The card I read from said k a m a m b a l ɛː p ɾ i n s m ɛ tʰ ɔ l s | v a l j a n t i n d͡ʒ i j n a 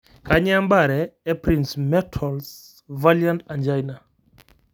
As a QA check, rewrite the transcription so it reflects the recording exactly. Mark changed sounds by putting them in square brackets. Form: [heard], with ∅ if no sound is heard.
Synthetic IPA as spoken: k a [ɲ] a m b a [ɾ] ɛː p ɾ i n s m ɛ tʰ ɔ l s | v a l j a n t [a] n d͡ʒ [a] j n a